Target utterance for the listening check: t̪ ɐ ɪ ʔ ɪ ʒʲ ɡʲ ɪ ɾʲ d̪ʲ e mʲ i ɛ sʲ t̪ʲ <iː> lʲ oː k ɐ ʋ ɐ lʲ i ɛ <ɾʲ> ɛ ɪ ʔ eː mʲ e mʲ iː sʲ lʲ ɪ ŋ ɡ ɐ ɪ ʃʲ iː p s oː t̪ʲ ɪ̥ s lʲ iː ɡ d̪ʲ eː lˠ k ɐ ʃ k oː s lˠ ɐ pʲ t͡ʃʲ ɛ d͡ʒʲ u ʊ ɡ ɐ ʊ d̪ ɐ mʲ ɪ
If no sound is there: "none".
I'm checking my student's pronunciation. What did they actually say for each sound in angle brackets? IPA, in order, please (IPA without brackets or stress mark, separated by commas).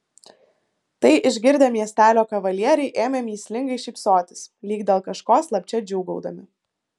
æː, ɾʲ